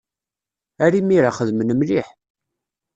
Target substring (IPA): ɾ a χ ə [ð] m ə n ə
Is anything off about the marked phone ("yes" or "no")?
no